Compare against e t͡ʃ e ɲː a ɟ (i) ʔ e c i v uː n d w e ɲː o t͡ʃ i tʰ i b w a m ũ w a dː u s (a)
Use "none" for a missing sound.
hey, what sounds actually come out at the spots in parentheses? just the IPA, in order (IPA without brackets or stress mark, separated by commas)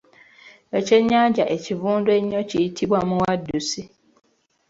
a, i